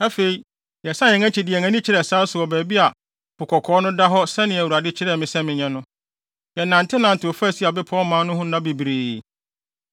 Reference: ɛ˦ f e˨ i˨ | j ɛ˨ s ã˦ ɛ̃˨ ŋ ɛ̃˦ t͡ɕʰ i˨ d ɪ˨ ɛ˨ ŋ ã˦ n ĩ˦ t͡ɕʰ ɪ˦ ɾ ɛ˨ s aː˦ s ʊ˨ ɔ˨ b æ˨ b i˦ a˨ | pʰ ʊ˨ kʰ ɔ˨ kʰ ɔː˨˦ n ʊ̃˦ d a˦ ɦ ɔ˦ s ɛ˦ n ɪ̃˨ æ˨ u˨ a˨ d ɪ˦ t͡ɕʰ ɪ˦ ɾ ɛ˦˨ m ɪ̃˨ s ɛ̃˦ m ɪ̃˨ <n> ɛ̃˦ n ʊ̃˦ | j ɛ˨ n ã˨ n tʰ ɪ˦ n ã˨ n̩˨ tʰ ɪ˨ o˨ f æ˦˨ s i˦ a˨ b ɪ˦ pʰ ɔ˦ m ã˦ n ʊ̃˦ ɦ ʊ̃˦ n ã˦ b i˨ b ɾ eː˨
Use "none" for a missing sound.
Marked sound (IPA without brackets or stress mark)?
ɲ